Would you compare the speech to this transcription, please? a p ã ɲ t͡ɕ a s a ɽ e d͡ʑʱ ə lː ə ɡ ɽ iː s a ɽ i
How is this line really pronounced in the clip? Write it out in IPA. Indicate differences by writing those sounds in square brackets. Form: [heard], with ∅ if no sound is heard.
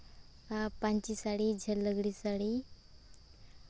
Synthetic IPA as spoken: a p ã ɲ t͡ɕ [i] s a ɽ [i] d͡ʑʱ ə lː ə ɡ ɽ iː s a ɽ i